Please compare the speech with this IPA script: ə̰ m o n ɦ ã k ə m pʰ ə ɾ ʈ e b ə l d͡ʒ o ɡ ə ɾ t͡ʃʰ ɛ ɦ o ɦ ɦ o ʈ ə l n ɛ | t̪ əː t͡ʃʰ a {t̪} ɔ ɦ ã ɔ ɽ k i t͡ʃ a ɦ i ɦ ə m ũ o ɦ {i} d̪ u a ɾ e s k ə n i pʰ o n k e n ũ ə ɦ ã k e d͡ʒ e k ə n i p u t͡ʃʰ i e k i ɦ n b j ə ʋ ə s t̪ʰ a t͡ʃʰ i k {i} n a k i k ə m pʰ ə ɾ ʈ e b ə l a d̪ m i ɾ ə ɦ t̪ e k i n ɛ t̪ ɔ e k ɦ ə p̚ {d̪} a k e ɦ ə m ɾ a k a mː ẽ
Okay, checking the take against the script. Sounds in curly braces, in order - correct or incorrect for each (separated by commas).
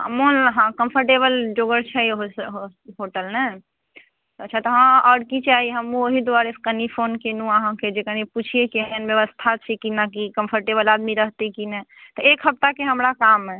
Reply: correct, correct, correct, incorrect